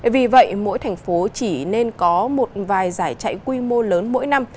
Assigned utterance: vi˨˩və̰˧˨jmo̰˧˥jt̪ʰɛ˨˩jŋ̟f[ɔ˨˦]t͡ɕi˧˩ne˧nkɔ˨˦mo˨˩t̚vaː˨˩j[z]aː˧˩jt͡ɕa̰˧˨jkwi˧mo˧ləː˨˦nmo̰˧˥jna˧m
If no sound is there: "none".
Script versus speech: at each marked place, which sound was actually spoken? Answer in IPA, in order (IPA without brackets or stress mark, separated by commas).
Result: o˨˦, z